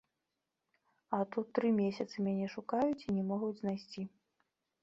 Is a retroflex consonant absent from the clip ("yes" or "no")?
no